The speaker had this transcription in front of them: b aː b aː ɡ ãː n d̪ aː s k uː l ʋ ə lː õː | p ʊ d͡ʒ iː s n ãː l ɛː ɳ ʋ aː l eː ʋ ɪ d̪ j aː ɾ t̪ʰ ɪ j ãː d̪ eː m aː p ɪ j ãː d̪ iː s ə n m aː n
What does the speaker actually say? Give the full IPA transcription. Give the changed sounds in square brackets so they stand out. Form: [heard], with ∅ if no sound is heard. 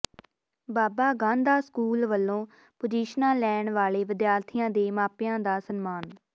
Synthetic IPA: b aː b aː ɡ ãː n d̪ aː s k uː l ʋ ə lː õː | p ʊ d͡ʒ iː [ʃ] n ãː l ɛː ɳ ʋ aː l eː ʋ ɪ d̪ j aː ɾ t̪ʰ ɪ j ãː d̪ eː m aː p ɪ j ãː d̪ [aː] s ə n m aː n